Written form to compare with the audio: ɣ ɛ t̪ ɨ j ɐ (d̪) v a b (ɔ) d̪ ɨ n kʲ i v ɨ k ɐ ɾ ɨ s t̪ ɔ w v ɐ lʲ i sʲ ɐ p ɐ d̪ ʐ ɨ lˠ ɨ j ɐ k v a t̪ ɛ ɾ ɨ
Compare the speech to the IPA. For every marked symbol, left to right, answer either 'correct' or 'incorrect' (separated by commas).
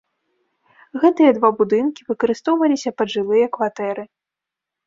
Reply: correct, incorrect